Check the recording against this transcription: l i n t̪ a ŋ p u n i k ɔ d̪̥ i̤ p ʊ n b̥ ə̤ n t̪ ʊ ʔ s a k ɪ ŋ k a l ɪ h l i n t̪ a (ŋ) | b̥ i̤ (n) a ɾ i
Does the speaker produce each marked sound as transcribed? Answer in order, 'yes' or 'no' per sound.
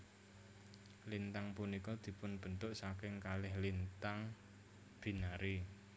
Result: yes, yes

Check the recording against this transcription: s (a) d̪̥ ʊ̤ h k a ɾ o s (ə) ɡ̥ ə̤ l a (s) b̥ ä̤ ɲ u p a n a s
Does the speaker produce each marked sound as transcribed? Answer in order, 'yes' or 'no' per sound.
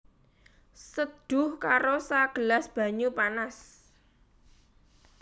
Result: no, no, yes

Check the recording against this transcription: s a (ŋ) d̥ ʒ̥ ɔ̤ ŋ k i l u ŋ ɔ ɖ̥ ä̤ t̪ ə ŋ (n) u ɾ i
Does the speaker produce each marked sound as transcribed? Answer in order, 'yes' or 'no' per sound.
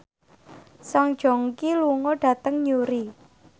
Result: yes, no

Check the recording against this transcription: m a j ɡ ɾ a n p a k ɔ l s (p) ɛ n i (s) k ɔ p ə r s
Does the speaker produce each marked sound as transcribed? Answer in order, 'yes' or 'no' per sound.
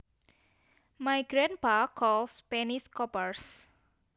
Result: yes, yes

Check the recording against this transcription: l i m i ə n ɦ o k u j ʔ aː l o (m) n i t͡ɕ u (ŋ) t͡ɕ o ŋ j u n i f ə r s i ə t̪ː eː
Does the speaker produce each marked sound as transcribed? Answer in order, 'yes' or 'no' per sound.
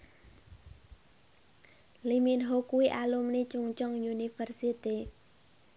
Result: yes, yes

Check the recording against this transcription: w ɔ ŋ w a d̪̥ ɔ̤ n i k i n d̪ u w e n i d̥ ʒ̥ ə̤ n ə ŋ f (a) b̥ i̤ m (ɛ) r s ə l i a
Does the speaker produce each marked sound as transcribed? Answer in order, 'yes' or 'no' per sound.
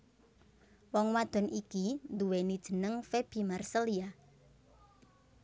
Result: no, no

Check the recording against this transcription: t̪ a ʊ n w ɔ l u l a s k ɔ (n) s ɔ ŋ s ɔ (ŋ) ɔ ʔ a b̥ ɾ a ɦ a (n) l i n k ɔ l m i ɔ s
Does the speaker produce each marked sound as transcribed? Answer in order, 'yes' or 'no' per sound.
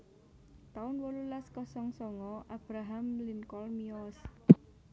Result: no, yes, no

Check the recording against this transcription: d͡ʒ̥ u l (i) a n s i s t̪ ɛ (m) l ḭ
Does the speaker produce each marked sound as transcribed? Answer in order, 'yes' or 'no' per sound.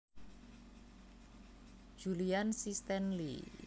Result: yes, no

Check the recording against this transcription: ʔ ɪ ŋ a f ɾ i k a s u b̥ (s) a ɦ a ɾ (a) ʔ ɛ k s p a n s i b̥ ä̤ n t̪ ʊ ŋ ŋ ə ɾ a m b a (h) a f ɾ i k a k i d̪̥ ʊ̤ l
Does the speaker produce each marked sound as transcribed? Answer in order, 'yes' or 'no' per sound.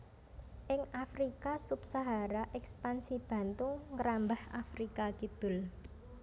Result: yes, yes, yes

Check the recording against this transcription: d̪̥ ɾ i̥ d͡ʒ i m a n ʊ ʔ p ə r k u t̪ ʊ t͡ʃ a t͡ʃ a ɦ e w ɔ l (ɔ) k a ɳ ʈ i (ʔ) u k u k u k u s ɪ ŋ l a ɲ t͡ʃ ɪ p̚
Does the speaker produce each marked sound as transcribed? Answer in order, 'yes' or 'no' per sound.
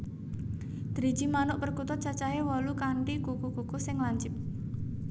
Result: no, no

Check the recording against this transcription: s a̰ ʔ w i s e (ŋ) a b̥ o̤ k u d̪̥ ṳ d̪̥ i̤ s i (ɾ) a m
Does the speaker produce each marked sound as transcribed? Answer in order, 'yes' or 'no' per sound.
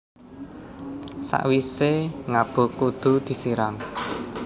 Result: yes, yes

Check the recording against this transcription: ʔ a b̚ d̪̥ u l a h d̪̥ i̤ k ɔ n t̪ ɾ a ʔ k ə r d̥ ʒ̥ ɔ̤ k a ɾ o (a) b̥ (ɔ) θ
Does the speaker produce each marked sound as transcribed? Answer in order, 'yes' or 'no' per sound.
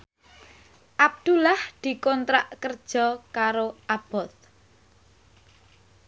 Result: yes, yes

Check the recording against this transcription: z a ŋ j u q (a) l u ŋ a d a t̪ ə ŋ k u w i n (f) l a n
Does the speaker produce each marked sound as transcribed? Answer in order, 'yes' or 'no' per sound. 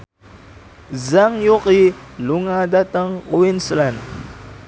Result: no, no

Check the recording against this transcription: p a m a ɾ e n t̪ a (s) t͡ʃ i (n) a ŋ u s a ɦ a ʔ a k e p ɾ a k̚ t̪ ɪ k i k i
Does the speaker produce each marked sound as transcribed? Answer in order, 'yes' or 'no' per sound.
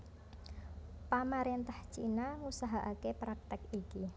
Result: no, yes

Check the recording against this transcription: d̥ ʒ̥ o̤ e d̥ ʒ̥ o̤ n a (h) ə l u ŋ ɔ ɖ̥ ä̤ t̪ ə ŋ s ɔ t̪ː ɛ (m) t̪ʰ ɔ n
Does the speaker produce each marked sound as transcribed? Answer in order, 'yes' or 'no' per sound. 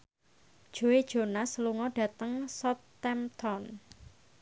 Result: no, yes

